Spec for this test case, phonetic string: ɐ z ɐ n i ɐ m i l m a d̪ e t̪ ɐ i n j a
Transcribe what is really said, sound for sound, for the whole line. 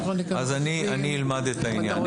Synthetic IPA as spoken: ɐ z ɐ n i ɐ n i l m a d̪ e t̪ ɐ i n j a